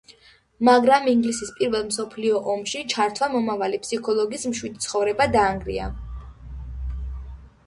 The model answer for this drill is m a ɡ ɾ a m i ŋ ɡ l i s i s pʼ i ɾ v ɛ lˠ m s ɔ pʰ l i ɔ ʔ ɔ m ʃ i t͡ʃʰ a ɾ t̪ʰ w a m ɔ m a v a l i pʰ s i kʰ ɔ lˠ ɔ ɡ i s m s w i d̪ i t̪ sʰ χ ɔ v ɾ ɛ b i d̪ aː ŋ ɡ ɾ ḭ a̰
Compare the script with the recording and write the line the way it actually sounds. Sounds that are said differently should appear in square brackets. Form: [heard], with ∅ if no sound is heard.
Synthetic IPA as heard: m a ɡ ɾ a m i ŋ ɡ l i s i s pʼ i ɾ v ɛ lˠ m s ɔ pʰ l i ɔ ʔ ɔ m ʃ i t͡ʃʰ a ɾ t̪ʰ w a m ɔ m a v a l i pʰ s i kʰ ɔ lˠ ɔ ɡ i s m [ʃ] w i d̪ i t̪ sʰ χ ɔ v ɾ ɛ b [a] d̪ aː ŋ ɡ ɾ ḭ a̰